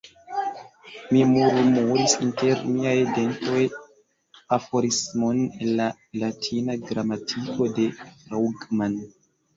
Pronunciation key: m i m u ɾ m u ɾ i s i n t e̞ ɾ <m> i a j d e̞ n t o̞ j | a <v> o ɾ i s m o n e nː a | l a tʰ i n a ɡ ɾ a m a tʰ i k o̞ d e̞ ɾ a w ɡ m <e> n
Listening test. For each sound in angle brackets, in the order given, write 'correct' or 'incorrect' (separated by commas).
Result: correct, incorrect, incorrect